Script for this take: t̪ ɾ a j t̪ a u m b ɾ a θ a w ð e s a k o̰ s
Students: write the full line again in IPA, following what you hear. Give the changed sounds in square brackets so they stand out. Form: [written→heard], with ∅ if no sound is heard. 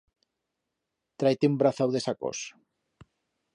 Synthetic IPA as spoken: t̪ ɾ a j t̪ [a→e] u m b ɾ a θ a w ð e s a k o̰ s